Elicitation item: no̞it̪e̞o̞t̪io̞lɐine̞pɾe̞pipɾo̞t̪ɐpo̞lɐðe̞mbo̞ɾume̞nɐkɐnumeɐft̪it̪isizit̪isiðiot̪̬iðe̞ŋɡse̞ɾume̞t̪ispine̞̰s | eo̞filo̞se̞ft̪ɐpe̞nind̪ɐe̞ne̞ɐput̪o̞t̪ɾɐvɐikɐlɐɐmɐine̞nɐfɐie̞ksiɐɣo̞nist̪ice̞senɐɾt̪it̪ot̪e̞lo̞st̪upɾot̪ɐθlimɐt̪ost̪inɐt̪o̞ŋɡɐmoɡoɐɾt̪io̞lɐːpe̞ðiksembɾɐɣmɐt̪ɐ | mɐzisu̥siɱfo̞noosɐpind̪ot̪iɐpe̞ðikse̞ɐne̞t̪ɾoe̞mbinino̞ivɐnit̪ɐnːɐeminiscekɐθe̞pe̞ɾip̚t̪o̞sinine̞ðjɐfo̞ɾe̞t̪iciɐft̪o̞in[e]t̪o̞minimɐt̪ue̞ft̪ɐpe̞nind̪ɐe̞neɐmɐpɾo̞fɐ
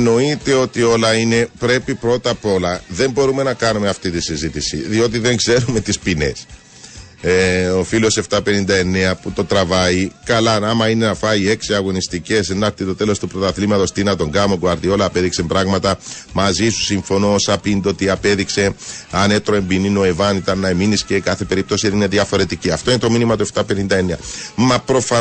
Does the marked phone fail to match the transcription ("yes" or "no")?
no